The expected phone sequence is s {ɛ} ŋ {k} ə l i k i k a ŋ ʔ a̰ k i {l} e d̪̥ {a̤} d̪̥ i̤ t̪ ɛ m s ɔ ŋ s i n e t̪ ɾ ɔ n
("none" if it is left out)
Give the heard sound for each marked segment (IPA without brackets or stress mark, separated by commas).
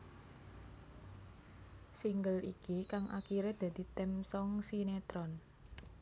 i, ɡ, ɾ, a̤